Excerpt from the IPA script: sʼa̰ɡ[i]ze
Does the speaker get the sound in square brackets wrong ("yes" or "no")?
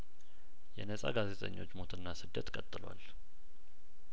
yes